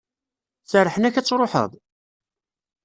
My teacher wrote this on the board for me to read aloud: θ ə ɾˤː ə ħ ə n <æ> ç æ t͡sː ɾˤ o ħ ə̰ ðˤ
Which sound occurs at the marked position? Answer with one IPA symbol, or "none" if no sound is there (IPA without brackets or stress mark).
æ